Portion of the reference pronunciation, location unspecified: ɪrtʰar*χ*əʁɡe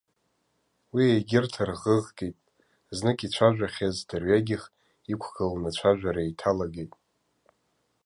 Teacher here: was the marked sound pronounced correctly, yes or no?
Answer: no